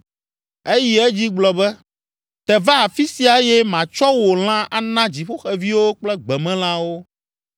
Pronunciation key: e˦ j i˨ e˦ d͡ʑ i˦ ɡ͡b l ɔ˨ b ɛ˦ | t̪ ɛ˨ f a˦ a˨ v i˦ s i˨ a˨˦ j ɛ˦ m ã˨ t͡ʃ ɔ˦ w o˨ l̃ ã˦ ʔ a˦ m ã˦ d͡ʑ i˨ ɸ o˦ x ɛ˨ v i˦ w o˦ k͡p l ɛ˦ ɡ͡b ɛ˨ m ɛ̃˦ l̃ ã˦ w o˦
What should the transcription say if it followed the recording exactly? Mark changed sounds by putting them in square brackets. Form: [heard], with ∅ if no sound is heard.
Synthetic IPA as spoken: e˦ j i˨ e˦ d͡ʑ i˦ ɡ͡b l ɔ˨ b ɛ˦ | t̪ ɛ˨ [v] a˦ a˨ [f] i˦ s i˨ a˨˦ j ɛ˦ m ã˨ t͡ʃ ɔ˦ w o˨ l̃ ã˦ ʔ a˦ [n] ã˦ d͡ʑ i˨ ɸ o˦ x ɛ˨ v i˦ w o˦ k͡p l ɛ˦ ɡ͡b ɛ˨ m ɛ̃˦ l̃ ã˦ w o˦